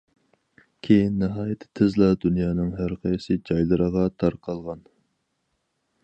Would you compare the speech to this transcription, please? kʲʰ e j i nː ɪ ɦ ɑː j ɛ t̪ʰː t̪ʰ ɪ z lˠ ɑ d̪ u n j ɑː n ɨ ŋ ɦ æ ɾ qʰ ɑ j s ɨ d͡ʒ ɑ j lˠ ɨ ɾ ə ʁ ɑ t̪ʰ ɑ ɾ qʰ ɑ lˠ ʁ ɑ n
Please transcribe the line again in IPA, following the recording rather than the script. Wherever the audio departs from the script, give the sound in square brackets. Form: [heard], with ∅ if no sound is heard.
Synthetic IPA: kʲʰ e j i nː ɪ ɦ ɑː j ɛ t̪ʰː t̪ʰ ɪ z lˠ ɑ d̪ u n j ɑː n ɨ ŋ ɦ æ ɾ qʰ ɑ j s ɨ d͡ʒ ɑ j lˠ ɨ ɾ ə ʁ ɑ t̪ʰ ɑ ɾ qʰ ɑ lˠ ʁ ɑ n